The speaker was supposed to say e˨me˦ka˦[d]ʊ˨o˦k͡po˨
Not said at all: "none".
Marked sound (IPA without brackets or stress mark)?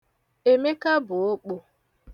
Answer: b